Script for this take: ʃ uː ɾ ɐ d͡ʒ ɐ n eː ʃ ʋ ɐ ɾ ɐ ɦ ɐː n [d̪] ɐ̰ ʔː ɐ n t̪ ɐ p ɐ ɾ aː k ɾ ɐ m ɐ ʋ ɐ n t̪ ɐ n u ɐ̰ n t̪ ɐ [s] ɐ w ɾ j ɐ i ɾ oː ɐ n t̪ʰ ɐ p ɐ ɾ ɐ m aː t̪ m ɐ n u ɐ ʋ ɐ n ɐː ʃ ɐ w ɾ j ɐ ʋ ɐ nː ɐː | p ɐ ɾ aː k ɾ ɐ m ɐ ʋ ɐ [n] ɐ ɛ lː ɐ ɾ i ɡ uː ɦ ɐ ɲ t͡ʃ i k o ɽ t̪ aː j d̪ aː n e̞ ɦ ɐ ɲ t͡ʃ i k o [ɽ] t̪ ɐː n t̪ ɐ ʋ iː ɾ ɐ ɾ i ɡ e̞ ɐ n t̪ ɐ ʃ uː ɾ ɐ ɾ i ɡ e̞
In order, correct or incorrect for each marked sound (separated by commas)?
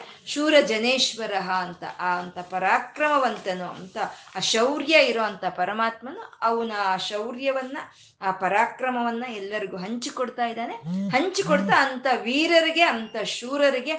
incorrect, incorrect, incorrect, correct